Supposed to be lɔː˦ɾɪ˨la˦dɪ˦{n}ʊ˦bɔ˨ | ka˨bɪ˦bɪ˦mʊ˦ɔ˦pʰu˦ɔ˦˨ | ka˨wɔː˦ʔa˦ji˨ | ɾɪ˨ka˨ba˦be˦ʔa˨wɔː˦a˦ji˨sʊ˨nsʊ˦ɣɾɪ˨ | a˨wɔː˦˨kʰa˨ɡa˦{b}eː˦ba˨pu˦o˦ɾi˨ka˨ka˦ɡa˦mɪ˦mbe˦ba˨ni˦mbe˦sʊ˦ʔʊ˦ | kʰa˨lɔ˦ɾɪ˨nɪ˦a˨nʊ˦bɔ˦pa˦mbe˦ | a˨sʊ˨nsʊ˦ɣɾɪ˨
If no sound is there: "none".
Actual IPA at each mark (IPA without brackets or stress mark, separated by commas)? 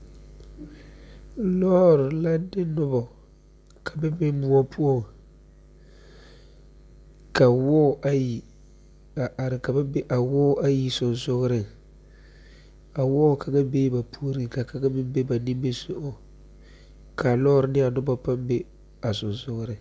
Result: n, b